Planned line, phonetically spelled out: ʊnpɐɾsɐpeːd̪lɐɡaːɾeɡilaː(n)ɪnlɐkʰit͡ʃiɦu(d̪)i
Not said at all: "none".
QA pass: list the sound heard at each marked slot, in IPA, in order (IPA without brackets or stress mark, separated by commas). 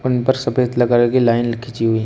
none, none